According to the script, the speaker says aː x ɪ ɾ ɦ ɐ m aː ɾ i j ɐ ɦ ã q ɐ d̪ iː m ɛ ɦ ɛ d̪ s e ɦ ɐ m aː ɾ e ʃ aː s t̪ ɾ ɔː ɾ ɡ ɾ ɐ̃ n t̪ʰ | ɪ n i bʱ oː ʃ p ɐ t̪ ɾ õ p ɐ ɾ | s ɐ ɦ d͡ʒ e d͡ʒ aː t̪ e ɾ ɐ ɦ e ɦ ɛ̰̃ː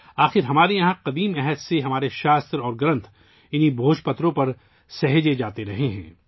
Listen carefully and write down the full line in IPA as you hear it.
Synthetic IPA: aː x ɪ ɾ ɦ ɐ m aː ɾ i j ɐ ɦ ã q ɐ d̪ iː m ɛ ɦ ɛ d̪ s e ɦ ɐ m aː ɾ e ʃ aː s t̪ ɾ ɔː ɾ ɡ ɾ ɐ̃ n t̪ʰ | ɪ n i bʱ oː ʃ p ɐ t̪ ɾ õ p ɐ ɾ | s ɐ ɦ d͡ʒ e d͡ʒ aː t̪ e ɾ ɐ ɦ e ɦ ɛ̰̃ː